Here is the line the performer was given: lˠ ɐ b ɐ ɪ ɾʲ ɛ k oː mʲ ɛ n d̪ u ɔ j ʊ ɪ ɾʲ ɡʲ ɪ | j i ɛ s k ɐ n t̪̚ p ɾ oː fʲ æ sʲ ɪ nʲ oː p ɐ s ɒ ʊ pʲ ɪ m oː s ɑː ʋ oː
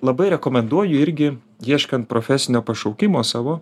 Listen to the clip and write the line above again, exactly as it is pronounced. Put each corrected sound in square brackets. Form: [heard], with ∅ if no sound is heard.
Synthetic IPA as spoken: lˠ ɐ b ɐ ɪ ɾʲ ɛ k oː mʲ ɛ n d̪ u ɔ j ʊ ɪ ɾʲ ɡʲ ɪ | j i ɛ [ʃ] k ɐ n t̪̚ p ɾ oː fʲ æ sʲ ɪ nʲ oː p ɐ [ʃ] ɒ ʊ [kʲ] ɪ m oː s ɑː ʋ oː

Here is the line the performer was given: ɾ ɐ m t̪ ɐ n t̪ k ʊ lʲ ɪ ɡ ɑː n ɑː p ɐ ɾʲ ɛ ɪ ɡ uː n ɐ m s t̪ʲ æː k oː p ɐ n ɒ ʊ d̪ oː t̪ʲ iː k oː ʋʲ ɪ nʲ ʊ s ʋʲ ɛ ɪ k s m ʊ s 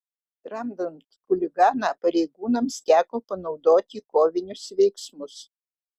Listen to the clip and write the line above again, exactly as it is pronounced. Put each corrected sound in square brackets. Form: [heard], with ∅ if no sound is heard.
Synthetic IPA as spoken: ɾ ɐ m [d̪] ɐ n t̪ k ʊ lʲ ɪ ɡ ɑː n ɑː p ɐ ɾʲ ɛ ɪ ɡ uː n ɐ m s t̪ʲ æː k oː p ɐ n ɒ ʊ d̪ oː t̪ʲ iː k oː ʋʲ ɪ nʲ ʊ s ʋʲ ɛ ɪ k s m ʊ s

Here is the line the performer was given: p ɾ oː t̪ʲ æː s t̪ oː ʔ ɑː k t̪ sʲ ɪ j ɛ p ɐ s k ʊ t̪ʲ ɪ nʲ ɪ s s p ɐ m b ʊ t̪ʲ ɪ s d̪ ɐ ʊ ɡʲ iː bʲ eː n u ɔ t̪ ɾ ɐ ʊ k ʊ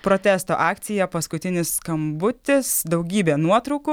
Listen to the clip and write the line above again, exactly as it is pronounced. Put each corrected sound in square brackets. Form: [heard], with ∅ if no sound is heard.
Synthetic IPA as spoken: p ɾ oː t̪ʲ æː s t̪ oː ʔ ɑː k t̪ sʲ ɪ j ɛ p ɐ s k ʊ t̪ʲ ɪ nʲ ɪ s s [k] ɐ m b ʊ t̪ʲ ɪ s d̪ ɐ ʊ ɡʲ iː bʲ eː n u ɔ t̪ ɾ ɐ ʊ k ʊ

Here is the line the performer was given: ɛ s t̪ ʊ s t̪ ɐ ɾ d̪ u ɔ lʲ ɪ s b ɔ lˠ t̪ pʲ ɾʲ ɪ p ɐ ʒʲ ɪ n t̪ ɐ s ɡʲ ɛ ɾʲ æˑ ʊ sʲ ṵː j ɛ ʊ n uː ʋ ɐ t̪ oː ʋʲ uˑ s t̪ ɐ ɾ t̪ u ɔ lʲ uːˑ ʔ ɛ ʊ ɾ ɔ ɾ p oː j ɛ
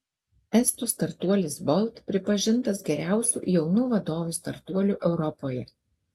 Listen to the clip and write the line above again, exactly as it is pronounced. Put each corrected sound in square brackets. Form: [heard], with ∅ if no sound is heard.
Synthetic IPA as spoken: ɛ s t̪ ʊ s t̪ ɐ ɾ [t̪] u ɔ lʲ ɪ s b ɔ lˠ t̪ pʲ ɾʲ ɪ p ɐ ʒʲ ɪ n t̪ ɐ s ɡʲ ɛ ɾʲ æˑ ʊ sʲ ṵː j ɛ ʊ n uː ʋ ɐ [d̪] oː ʋʲ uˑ s t̪ ɐ ɾ t̪ u ɔ lʲ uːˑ ʔ ɛ ʊ ɾ ɔ [∅] p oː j ɛ

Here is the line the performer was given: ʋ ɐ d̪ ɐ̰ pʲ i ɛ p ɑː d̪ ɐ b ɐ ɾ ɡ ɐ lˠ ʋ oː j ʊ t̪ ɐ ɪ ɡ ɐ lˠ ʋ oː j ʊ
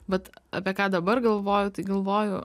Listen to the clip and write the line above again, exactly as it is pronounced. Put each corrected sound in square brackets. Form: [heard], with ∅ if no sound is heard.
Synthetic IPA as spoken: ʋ ɐ [t̪] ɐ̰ pʲ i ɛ [k] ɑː d̪ ɐ b ɐ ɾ ɡ ɐ lˠ ʋ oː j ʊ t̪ ɐ ɪ ɡ ɐ lˠ ʋ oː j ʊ

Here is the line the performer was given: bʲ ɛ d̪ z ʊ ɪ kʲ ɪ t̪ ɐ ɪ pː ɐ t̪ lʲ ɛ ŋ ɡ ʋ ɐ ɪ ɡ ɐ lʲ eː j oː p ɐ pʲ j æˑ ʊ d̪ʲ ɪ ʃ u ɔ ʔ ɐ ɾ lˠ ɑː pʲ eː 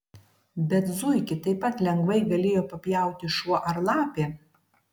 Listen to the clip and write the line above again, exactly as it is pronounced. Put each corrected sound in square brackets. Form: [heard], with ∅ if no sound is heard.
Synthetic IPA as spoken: bʲ ɛ [t̪] z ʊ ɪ kʲ ɪ t̪ ɐ ɪ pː ɐ t̪ lʲ ɛ ŋ ɡ ʋ ɐ ɪ ɡ ɐ lʲ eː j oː p ɐ pʲ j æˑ ʊ [t̪ʲ] ɪ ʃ u ɔ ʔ ɐ ɾ lˠ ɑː pʲ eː

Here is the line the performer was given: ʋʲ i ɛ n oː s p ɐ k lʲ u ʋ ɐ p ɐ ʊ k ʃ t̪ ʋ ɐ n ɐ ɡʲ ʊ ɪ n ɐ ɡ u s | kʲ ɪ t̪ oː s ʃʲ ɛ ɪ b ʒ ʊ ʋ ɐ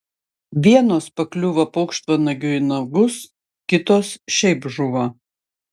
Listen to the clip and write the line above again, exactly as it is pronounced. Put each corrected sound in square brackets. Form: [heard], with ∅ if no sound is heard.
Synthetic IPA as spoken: ʋʲ i ɛ n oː s p ɐ k lʲ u ʋ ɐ p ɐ ʊ k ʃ t̪ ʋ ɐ n ɐ ɡʲ ʊ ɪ n ɐ ɡ [ʊ] s | kʲ ɪ t̪ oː s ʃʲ ɛ ɪ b ʒ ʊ ʋ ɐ

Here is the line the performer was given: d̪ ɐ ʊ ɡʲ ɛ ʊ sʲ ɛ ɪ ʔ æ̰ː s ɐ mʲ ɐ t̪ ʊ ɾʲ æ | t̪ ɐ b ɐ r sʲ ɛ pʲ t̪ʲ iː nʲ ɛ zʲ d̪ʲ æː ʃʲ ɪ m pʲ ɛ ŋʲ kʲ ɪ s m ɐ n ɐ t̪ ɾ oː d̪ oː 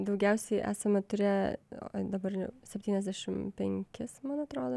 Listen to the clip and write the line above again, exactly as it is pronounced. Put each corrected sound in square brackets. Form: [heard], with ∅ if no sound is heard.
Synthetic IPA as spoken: d̪ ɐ ʊ ɡʲ ɛ ʊ sʲ ɛ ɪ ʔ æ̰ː s ɐ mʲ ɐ t̪ ʊ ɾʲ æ | [d̪] ɐ b ɐ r sʲ ɛ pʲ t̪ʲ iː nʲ ɛ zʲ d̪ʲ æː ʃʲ ɪ m pʲ ɛ ŋʲ kʲ ɪ s m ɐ n ɐ t̪ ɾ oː d̪ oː

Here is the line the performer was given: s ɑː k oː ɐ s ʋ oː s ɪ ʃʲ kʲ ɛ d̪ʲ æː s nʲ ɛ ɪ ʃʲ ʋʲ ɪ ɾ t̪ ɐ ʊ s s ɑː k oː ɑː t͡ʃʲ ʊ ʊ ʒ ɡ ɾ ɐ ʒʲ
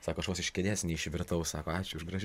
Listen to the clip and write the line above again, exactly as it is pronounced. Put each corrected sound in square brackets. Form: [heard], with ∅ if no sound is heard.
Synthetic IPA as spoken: s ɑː k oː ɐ [ʃ] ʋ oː s ɪ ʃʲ kʲ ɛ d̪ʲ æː s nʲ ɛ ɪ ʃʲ ʋʲ ɪ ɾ t̪ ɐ ʊ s s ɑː k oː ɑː t͡ʃʲ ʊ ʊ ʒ ɡ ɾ ɐ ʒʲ

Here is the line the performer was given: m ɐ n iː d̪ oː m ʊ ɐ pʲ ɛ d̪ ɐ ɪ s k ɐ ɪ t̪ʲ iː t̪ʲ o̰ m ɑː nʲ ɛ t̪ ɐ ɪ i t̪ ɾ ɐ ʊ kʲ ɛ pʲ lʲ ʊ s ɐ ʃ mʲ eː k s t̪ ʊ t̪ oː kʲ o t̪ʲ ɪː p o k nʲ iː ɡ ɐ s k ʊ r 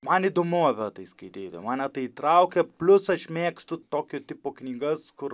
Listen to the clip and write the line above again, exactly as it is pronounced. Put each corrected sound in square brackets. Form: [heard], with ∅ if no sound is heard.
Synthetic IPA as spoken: m ɐ n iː d̪ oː m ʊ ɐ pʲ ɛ [t̪] ɐ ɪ s k ɐ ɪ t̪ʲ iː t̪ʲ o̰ m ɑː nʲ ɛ t̪ ɐ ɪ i t̪ ɾ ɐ ʊ kʲ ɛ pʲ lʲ ʊ s ɐ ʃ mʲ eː k s t̪ ʊ t̪ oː kʲ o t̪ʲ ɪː p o k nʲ iː ɡ ɐ s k ʊ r

